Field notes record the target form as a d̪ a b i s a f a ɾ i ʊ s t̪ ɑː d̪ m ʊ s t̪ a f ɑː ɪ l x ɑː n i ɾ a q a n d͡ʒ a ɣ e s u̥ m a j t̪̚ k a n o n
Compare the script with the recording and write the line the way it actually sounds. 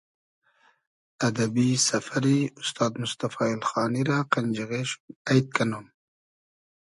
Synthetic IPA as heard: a d̪ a b i s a f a ɾ i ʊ s t̪ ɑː d̪ m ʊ s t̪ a f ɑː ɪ l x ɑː n i ɾ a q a n d͡ʒ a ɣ e ʃ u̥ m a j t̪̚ k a n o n